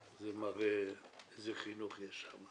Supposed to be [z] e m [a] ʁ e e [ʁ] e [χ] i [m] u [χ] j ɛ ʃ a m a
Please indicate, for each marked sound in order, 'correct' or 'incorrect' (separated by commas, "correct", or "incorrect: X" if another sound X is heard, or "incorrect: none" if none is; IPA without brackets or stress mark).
correct, correct, incorrect: z, correct, incorrect: n, correct